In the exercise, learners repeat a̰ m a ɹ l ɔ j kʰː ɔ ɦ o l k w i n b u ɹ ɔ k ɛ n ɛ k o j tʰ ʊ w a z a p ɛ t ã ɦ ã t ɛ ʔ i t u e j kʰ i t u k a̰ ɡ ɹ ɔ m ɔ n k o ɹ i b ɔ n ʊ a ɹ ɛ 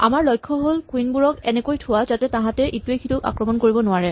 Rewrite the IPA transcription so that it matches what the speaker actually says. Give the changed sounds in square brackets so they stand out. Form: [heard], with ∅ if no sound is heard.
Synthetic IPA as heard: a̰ m a ɹ l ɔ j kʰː ɔ ɦ o l k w i n b u ɹ ɔ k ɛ n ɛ k o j tʰ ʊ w a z a [t] ɛ t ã ɦ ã t ɛ ʔ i t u e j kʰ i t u k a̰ [k] ɹ ɔ m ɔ n k o ɹ i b ɔ n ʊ a ɹ ɛ